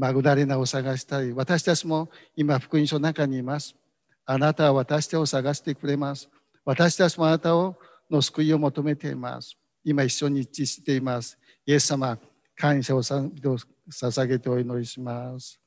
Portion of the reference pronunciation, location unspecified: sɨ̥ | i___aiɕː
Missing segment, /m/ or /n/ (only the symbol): m